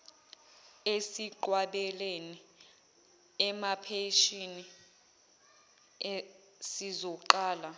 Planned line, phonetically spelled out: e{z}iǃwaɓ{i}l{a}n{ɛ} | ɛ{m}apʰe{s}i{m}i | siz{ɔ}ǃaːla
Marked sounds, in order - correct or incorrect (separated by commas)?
incorrect, incorrect, incorrect, incorrect, correct, incorrect, incorrect, correct